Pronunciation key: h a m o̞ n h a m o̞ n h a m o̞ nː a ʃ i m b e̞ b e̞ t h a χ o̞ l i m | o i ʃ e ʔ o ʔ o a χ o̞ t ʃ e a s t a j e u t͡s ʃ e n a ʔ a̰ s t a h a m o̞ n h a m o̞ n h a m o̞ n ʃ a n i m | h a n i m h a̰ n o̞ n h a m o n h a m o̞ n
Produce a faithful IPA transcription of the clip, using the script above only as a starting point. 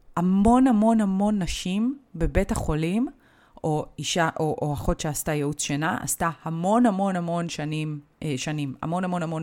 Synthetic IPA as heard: h a m o̞ n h a m o̞ n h a m o̞ nː a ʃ i m b e̞ b e̞ t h a χ o̞ l i m | o i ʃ a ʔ o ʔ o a χ o̞ t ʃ e a s t a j e u t͡s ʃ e n a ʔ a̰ s t a h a m o̞ n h a m o̞ n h a m o̞ n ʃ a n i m | ʃ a n i m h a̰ m o̞ n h a m o n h a m o̞ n